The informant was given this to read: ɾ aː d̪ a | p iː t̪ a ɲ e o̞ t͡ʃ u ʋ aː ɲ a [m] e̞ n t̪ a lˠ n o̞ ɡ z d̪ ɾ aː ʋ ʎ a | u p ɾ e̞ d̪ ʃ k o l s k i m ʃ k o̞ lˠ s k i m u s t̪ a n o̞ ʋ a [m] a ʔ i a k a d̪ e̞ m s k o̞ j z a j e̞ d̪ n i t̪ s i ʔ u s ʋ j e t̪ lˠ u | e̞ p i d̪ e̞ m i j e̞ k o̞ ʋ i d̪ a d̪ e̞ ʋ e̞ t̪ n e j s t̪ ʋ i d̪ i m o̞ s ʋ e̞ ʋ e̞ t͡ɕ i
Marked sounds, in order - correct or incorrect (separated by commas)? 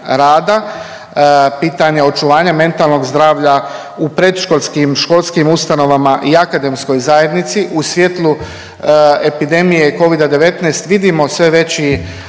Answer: correct, correct